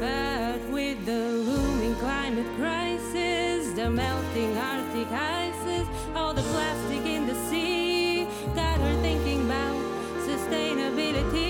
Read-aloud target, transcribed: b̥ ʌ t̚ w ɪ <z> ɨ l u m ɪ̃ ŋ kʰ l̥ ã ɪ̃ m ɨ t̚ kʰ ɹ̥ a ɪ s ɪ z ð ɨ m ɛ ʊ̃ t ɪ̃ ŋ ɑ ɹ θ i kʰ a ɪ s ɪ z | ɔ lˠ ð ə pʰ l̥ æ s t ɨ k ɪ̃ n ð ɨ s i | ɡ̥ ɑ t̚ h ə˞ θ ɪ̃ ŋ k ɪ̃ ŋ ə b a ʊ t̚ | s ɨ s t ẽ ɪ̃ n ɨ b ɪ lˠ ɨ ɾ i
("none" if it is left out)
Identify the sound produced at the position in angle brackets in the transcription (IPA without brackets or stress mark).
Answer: ð